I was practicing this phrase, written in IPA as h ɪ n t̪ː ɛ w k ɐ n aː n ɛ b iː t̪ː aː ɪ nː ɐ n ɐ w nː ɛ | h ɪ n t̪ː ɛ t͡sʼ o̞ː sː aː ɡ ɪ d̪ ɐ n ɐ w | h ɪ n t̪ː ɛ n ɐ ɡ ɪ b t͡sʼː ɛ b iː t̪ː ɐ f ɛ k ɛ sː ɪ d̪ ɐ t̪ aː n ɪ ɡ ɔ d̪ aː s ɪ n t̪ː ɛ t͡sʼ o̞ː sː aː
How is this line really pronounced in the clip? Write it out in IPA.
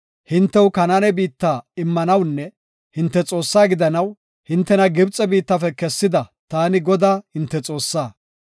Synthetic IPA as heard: h ɪ n t̪ː ɛ w k ɐ n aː n ɛ b iː t̪ː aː ɪ mː ɐ n ɐ w nː ɛ | h ɪ n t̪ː ɛ t͡sʼ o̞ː sː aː ɡ ɪ d̪ ɐ n ɐ w | h ɪ n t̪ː ɛ n ɐ ɡ ɪ b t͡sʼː ɛ b iː t̪ː ɐ f ɛ k ɛ sː ɪ d̪ ɐ t̪ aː n ɪ ɡ ɔ d̪ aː h ɪ n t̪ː ɛ t͡sʼ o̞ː sː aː

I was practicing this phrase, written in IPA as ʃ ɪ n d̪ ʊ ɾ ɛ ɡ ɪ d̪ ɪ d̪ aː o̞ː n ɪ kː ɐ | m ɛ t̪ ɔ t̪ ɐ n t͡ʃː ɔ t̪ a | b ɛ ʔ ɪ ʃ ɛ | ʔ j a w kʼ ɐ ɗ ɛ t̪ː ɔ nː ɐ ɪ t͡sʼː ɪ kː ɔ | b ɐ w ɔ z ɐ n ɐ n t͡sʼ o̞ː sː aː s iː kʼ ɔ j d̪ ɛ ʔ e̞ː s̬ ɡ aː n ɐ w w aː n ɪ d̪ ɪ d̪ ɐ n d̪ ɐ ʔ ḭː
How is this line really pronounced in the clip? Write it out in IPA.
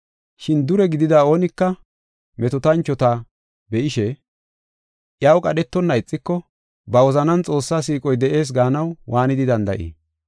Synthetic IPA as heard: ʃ ɪ n d̪ ʊ ɾ ɛ ɡ ɪ d̪ ɪ d̪ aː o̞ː n ɪ kː ɐ | m ɛ t̪ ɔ t̪ ɐ n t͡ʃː ɔ t̪ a | b ɛ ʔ ɪ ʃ ɛ | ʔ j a w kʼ ɐ ɗ ɛ t̪ː ɔ nː ɐ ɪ t͡sʼː ɪ kː ɔ | b ɐ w ɔ z ɐ n ɐ n t͡sʼ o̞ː sː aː s iː kʼ ɔ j d̪ ɛ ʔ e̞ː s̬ ɡ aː n ɐ w w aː n ɪ d̪ ɪ d̪ ɐ n d̪ ɐ ʔ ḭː

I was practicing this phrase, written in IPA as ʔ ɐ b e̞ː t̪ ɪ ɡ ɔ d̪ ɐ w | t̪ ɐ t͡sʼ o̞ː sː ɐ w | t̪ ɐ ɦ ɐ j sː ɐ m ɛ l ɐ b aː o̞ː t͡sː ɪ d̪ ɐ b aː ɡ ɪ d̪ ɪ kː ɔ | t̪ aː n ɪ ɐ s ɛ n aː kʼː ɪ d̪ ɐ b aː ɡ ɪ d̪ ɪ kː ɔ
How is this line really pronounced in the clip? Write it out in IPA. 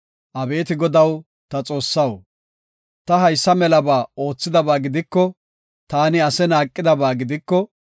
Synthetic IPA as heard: ʔ ɐ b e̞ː t̪ ɪ ɡ ɔ d̪ ɐ w | t̪ ɐ t͡sʼ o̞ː sː ɐ w | t̪ ɐ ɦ ɐ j sː ɐ m ɛ l ɐ b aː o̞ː t͡sː ɪ d̪ ɐ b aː ɡ ɪ d̪ ɪ kː ɔ | t̪ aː n ɪ ɐ s ɛ n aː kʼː ɪ d̪ ɐ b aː ɡ ɪ d̪ ɪ kː ɔ

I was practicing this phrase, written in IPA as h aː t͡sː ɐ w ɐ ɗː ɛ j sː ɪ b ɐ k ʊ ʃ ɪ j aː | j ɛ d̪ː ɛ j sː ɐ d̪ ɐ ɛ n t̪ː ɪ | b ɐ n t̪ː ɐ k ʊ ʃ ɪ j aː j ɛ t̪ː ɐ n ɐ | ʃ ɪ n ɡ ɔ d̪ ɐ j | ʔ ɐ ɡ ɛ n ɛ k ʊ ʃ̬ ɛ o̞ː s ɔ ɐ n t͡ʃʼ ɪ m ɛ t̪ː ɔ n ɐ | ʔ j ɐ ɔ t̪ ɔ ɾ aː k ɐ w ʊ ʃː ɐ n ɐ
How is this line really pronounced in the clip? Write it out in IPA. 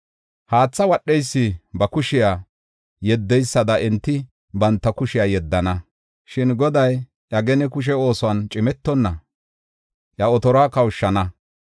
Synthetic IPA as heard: h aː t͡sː ɐ w ɐ ɗː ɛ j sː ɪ b ɐ k ʊ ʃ ɪ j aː | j ɛ d̪ː ɛ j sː ɐ d̪ ɐ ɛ n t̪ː ɪ | b ɐ n t̪ː ɐ k ʊ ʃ ɪ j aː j ɛ d̪ː ɐ n ɐ | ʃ ɪ n ɡ ɔ d̪ ɐ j | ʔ ɐ ɡ ɛ n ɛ k ʊ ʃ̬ ɛ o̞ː s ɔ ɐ n t͡ʃʼ ɪ m ɛ t̪ː ɔ nː ɐ | ʔ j ɐ ɔ t̪ ɔ ɾ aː k ɐ w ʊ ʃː ɐ n ɐ

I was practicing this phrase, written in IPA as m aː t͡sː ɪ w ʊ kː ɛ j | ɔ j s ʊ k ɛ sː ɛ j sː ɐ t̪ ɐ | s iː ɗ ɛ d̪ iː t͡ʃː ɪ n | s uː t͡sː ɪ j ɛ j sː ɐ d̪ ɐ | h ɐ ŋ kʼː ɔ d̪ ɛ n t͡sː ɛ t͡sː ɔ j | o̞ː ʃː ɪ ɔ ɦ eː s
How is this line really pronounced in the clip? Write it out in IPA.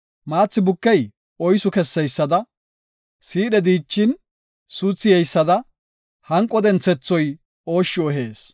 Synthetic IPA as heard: m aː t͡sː ɪ b ʊ kː ɛ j | ɔ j s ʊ k ɛ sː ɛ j sː ɐ d̪ ɐ | s iː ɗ ɛ d̪ iː t͡ʃː ɪ n | s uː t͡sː ɪ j ɛ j sː ɐ d̪ ɐ | h ɐ ŋ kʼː ɔ d̪ ɛ n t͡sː ɛ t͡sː ɔ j | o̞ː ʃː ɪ ɔ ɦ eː s

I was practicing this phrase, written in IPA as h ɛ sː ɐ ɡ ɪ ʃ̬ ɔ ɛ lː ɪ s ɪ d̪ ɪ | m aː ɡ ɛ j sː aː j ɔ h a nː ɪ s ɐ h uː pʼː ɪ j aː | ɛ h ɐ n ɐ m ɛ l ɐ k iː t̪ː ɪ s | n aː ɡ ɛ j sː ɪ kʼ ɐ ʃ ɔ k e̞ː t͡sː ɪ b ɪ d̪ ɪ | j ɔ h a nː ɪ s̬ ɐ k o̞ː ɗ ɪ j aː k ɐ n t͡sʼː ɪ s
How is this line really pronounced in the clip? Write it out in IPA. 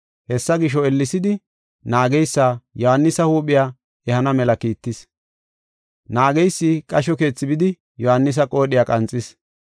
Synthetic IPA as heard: h ɛ sː ɐ ɡ ɪ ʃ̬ ɔ ɛ lː ɪ s ɪ d̪ ɪ | n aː ɡ ɛ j sː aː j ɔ h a nː ɪ s ɐ h uː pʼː ɪ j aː | ɛ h ɐ n ɐ m ɛ l ɐ k iː t̪ː ɪ s | n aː ɡ ɛ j sː ɪ kʼ ɐ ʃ ɔ k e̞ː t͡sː ɪ b ɪ d̪ ɪ | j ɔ h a nː ɪ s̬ ɐ kʼ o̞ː ɗ ɪ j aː kʼ ɐ n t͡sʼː ɪ s

